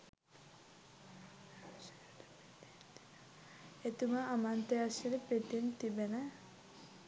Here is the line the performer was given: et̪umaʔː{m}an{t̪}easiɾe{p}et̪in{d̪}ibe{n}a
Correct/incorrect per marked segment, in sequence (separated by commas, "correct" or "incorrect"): correct, correct, correct, incorrect, correct